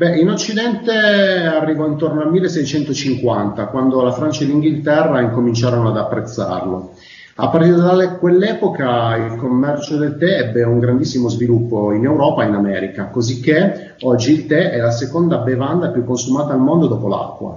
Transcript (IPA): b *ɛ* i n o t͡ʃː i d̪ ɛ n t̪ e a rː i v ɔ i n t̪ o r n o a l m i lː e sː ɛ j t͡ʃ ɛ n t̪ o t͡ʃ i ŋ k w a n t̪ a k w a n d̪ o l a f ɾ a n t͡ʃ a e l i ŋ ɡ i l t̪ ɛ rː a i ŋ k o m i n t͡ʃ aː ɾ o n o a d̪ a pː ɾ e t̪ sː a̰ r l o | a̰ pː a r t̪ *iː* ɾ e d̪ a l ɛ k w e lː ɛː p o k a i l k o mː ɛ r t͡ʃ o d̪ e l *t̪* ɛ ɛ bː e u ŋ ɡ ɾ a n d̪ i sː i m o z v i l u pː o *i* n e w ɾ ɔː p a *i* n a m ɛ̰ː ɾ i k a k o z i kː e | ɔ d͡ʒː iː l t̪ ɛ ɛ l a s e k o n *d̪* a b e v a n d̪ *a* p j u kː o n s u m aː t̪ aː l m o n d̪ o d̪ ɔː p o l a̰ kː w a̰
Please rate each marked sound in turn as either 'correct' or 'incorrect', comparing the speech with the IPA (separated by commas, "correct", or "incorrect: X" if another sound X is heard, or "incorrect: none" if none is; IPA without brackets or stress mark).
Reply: correct, incorrect: i, correct, correct, correct, correct, correct